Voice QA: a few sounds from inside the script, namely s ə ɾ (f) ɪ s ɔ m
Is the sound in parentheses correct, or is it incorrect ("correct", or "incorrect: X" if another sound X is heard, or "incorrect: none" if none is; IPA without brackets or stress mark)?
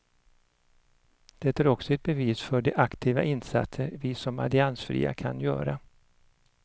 incorrect: v